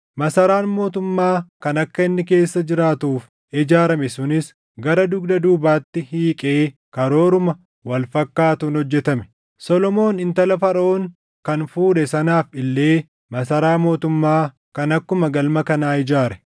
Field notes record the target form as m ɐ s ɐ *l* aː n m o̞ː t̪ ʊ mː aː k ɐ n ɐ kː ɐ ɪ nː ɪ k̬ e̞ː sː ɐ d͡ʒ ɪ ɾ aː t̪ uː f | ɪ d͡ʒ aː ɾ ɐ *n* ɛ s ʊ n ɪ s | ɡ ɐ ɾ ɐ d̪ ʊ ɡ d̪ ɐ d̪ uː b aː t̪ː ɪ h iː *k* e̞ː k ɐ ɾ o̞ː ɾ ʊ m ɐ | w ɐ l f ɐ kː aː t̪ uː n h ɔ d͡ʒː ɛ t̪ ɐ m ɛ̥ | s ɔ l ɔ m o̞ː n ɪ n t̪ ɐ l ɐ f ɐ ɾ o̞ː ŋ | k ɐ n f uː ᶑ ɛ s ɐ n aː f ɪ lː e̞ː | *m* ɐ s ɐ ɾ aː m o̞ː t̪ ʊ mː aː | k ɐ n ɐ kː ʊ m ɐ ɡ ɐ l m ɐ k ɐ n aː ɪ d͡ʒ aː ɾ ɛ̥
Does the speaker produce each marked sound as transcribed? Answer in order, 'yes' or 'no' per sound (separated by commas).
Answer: no, no, no, yes